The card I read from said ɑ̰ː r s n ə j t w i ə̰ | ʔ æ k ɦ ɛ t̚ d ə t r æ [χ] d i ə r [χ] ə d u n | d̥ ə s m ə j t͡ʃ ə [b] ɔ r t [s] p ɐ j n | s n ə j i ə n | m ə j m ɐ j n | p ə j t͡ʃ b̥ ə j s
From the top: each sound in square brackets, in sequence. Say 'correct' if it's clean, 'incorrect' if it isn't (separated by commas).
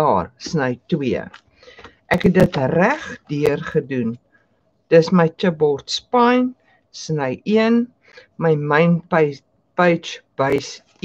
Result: correct, correct, correct, correct